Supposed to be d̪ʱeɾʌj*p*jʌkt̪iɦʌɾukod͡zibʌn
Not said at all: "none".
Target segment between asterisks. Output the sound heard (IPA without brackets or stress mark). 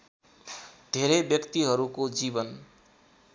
b